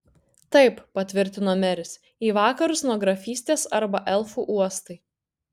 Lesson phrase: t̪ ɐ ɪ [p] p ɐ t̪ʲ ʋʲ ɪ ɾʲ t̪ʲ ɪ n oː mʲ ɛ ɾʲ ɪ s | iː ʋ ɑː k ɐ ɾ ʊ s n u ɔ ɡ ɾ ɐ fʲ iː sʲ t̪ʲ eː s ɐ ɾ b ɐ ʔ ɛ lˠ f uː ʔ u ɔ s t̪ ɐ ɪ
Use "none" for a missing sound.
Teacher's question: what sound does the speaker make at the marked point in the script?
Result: p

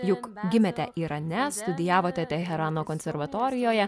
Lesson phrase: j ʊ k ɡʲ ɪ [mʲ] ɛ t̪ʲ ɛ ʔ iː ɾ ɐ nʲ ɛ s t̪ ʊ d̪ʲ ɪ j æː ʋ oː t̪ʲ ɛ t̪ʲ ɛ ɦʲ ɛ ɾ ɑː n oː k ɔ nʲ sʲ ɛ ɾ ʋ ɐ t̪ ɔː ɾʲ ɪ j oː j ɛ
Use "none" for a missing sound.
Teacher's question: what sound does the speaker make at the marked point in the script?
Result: mʲ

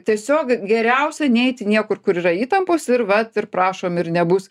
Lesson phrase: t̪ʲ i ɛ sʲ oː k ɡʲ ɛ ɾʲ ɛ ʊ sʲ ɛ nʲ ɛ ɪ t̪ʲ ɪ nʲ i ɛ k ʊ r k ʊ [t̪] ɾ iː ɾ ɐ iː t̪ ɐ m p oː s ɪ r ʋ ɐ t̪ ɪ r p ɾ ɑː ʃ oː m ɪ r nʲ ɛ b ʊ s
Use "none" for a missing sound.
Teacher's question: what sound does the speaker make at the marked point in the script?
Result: none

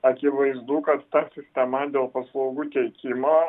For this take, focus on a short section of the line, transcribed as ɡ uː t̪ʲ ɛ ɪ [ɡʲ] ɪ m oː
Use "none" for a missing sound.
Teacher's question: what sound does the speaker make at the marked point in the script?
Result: kʲ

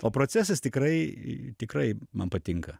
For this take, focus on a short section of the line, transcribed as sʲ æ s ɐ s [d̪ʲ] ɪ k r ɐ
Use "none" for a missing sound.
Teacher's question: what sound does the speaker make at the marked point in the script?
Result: t̪ʲ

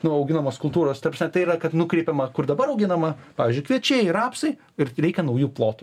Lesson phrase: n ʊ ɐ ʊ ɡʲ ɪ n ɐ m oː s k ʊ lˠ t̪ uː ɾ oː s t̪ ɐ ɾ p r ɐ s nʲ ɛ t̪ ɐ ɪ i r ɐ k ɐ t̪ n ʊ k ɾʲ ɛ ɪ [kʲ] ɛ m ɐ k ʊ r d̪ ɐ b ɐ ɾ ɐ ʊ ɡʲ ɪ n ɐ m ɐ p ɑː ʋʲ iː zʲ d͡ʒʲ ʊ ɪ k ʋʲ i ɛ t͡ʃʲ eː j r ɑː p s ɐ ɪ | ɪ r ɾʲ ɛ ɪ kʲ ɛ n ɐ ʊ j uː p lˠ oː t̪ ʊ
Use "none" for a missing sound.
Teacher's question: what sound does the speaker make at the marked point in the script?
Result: pʲ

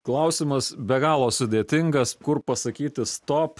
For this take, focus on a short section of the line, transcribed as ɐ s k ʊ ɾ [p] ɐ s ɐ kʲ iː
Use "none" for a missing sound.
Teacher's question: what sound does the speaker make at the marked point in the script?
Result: p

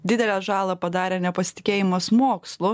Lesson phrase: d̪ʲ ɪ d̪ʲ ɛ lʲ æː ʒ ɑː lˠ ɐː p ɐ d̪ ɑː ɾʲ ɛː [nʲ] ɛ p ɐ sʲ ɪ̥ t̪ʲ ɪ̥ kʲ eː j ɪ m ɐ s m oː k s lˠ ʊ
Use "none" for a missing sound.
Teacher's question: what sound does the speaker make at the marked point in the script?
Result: nʲ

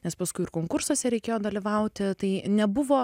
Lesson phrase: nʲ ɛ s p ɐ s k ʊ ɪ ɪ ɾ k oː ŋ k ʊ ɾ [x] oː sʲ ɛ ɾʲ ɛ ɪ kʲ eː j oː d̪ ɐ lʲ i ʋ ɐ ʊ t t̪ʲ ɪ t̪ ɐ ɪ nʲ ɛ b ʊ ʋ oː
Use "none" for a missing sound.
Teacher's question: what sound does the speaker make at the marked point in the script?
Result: s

